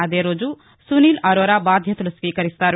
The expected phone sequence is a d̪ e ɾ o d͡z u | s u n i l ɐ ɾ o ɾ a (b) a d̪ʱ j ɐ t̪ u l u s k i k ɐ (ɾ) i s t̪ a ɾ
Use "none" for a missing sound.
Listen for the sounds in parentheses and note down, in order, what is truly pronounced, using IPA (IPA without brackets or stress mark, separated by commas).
b, ɾ